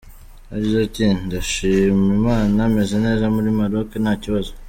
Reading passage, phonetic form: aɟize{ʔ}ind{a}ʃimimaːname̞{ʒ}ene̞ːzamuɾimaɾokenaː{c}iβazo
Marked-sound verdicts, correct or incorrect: incorrect: t, correct, incorrect: z, correct

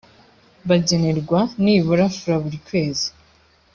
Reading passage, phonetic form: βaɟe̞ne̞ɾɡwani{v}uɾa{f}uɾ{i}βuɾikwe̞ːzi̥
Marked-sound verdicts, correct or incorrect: incorrect: β, correct, incorrect: a

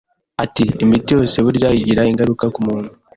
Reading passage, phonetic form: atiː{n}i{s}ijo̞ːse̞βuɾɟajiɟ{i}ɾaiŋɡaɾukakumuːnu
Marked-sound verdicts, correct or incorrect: incorrect: m, incorrect: t, correct

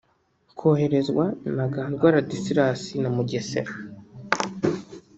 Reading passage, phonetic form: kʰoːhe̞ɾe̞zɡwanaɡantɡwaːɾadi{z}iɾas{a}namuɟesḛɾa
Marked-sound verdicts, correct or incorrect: incorrect: s, incorrect: i

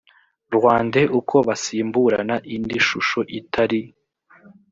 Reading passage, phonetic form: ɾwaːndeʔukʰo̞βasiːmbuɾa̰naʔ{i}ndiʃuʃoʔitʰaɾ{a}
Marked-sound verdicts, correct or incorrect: correct, incorrect: i

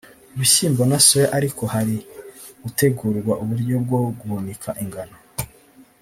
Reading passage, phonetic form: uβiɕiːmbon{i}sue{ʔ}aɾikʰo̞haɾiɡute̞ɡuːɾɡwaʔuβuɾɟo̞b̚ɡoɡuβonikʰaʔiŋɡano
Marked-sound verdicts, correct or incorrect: incorrect: a, correct

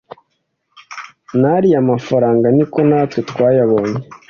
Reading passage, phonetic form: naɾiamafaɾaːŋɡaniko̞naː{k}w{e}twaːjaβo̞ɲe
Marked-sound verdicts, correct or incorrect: incorrect: t, correct

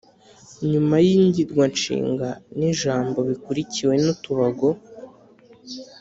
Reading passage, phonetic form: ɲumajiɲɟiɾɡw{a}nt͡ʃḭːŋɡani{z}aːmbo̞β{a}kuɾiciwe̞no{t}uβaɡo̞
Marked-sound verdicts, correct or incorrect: correct, incorrect: ʒ, incorrect: i, correct

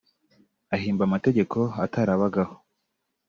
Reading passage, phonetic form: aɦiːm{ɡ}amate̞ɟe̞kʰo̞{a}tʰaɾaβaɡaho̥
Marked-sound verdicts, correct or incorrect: incorrect: b, correct

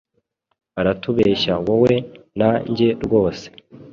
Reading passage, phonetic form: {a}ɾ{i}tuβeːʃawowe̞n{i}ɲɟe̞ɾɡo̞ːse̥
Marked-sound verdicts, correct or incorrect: correct, incorrect: a, incorrect: a

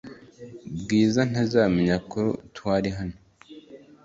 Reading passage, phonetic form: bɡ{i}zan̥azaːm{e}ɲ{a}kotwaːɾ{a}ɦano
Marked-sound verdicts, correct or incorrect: incorrect: iː, correct, correct, incorrect: i

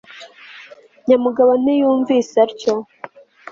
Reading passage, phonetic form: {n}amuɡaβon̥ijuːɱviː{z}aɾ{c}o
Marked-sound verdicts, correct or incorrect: incorrect: ɲ, incorrect: s, correct

